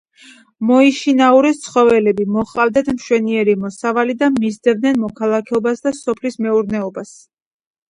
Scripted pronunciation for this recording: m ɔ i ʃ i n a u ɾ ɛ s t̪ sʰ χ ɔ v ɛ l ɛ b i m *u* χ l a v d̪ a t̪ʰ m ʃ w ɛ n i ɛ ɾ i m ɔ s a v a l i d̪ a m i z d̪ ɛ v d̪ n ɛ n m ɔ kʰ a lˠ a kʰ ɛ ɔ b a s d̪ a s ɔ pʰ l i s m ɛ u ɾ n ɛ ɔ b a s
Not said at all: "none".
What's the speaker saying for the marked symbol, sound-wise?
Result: ɔ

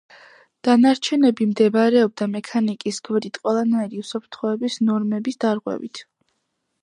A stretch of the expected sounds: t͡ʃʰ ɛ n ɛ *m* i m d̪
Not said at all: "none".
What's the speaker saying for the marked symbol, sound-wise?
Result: b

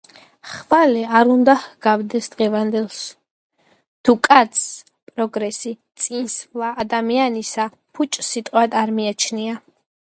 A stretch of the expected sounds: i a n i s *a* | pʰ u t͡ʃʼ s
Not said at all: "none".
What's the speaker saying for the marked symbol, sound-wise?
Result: a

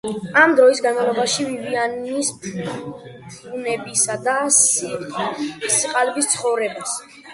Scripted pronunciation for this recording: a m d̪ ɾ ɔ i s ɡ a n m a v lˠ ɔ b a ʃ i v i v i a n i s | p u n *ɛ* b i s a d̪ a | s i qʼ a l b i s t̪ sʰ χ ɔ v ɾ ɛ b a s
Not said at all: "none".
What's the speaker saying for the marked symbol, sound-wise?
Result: ɛ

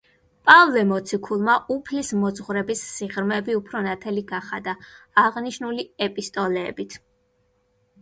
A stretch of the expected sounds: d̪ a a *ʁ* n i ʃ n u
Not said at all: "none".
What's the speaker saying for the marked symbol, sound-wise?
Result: ʁ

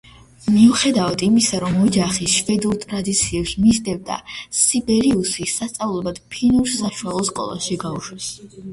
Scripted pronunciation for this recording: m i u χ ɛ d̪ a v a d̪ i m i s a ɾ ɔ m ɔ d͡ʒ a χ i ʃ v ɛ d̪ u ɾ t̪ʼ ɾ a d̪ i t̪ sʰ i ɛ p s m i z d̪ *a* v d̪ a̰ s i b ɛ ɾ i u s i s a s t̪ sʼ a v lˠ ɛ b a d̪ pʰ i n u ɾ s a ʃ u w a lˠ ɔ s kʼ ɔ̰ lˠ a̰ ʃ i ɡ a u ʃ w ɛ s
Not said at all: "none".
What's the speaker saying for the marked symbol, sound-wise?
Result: ɛ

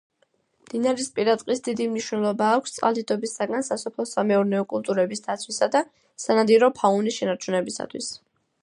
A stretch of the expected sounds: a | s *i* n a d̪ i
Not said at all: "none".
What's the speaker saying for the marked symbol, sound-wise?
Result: a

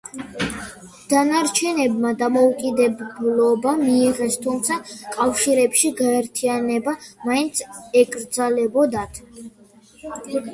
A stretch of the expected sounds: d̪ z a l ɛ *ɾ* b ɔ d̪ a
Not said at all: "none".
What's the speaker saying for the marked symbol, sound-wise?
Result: none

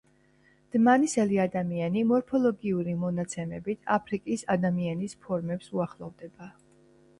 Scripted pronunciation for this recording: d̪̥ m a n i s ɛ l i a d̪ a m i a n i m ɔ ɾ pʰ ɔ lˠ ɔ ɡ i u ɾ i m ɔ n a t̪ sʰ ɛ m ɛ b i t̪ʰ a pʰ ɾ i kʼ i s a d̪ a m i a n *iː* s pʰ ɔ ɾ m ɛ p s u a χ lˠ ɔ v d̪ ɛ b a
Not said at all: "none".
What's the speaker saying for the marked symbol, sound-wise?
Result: i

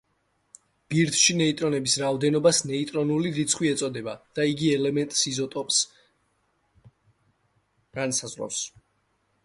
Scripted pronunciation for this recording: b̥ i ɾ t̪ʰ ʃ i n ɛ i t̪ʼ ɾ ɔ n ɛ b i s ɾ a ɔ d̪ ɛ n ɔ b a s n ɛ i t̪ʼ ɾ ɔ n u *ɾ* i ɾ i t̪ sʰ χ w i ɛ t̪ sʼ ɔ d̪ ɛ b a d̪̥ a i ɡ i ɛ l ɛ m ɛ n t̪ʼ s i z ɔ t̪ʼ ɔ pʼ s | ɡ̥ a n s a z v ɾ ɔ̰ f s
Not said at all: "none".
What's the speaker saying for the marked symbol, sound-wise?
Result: l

